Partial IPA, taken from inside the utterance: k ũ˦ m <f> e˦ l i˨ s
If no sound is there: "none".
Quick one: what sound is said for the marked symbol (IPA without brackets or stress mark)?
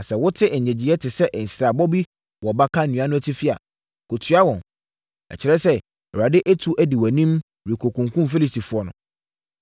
f